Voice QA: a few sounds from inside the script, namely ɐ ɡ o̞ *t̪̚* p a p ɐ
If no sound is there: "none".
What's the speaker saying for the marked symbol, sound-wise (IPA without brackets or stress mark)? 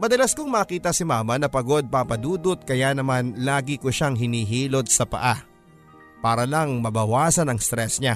d̪̚